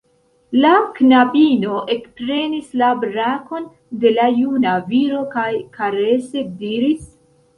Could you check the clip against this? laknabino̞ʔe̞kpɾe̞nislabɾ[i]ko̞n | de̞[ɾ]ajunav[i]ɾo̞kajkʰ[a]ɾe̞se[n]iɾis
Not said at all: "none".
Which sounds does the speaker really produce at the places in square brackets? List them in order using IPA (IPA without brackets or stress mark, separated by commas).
a, l, i, a, d